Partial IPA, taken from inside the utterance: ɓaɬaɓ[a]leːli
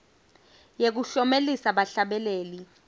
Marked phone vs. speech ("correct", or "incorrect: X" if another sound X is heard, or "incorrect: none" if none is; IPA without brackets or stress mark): incorrect: ɛ